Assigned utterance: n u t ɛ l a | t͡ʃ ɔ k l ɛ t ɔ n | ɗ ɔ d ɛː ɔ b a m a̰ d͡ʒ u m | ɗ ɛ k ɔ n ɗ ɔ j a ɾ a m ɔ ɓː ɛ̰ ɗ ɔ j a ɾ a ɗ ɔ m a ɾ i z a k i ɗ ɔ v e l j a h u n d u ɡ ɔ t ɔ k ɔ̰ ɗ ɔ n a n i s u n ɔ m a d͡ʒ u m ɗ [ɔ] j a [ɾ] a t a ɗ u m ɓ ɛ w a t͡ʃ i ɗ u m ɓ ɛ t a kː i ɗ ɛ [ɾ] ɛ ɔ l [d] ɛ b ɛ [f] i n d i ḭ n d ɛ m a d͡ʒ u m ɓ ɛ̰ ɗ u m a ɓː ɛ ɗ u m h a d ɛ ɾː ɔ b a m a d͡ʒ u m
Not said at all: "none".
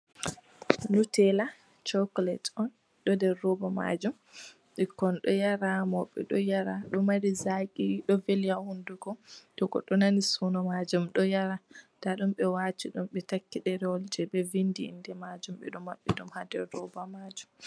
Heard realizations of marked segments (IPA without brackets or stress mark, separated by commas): ɔ, ɾ, ɾ, d͡ʒ, v